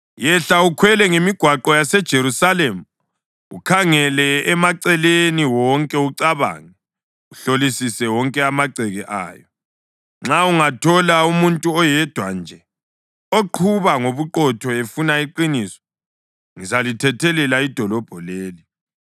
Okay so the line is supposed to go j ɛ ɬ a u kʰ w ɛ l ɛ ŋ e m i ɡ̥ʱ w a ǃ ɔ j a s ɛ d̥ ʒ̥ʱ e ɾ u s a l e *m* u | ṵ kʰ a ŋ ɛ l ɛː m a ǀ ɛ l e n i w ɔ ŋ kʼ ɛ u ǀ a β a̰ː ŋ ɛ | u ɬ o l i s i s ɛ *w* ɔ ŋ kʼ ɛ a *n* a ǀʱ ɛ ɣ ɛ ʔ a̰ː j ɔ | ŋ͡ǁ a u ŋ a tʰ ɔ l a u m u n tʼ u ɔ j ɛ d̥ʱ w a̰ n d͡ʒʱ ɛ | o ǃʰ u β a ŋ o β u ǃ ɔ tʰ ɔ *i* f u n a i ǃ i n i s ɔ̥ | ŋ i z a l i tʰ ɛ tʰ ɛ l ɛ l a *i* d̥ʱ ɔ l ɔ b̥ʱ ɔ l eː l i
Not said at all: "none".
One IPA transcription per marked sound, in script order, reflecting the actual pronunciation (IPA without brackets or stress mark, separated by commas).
m, w, m, e, i